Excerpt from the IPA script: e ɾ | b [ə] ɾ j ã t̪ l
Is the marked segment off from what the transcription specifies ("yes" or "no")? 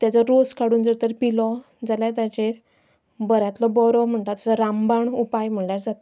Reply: no